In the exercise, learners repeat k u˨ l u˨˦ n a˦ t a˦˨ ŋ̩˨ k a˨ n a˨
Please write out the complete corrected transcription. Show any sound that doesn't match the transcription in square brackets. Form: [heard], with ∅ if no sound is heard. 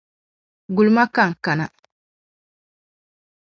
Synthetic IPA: [ɡ] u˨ l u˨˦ [m] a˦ [k] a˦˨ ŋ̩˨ k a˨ n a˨